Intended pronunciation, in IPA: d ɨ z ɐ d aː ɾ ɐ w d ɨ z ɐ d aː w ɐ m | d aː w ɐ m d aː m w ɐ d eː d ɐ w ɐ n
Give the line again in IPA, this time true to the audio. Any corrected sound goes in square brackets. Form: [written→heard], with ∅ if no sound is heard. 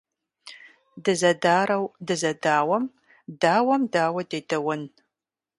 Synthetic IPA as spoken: d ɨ z ɐ d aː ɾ ɐ w d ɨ z ɐ d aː w ɐ m | d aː w ɐ m d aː [m→∅] w ɐ d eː d ɐ w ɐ n